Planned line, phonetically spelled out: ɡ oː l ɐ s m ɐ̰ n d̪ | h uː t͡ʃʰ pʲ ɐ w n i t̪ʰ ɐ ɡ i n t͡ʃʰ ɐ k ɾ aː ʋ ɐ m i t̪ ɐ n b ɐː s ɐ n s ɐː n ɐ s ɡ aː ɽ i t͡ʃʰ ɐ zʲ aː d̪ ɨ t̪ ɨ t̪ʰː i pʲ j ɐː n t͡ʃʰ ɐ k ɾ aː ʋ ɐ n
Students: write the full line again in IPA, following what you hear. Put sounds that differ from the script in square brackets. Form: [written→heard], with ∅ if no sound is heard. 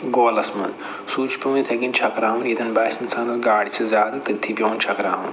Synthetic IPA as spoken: ɡ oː l ɐ s m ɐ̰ n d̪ | [h→s] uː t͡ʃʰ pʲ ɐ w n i t̪ʰ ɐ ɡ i n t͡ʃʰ ɐ k ɾ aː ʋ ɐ [m→n] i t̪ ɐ n b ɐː s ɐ n s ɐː n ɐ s ɡ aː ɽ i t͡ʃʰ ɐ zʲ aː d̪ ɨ t̪ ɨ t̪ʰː i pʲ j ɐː n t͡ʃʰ ɐ k ɾ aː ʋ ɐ n